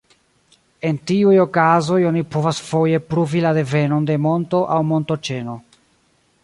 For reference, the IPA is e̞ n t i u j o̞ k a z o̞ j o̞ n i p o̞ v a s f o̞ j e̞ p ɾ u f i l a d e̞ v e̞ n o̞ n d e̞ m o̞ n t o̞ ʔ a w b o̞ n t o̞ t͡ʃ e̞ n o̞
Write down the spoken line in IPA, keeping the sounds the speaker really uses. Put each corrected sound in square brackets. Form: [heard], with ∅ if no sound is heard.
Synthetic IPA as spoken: e̞ n t i u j o̞ k a z o̞ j o̞ n i p o̞ v a s f o̞ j e̞ p ɾ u [v] i l a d e̞ v e̞ n o̞ n d e̞ m o̞ n t o̞ ʔ a w [m] o̞ n t o̞ t͡ʃ e̞ n o̞